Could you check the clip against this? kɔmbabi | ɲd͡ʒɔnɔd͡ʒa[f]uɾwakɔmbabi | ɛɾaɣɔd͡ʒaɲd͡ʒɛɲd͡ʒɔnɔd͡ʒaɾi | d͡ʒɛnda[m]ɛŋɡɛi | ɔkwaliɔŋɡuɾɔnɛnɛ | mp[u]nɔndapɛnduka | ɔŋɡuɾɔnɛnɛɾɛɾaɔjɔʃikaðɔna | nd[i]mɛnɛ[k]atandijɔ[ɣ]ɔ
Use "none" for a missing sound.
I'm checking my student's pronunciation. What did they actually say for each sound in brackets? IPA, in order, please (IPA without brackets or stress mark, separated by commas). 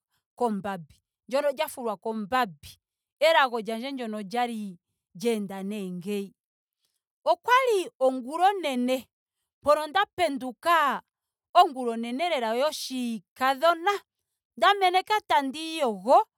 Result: f, n, ɔ, a, k, ɣ